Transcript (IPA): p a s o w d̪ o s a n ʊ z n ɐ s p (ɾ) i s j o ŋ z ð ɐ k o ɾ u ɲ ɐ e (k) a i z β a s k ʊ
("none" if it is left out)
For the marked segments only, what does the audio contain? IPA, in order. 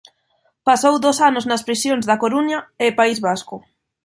ɾ, p

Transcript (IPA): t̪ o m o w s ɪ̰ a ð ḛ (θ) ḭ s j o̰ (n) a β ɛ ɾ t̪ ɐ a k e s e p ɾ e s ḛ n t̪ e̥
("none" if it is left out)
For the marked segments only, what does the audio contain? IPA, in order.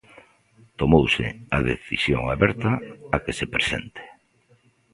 θ, ŋ

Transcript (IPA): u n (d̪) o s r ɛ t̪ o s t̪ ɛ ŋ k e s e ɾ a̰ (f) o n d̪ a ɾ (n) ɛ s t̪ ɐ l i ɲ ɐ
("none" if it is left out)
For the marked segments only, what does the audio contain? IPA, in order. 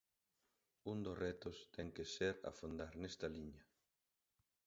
d̪, f, n

